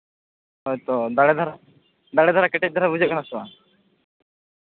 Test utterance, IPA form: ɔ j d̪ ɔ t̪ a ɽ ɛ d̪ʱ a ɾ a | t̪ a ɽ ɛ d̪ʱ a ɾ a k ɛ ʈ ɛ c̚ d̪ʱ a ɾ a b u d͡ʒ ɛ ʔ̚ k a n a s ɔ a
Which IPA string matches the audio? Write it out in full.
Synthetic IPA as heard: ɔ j t̪ ɔ d̪ a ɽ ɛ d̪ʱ a ɾ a | d̪ a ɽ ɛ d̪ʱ a ɾ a k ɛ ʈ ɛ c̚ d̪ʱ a ɾ a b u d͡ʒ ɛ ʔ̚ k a n a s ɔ a